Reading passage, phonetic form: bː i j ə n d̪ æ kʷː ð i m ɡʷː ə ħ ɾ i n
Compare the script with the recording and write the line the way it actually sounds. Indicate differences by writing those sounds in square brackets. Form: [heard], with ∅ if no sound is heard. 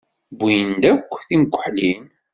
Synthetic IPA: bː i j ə n d̪ æ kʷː [θ] i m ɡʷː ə ħ [l] i n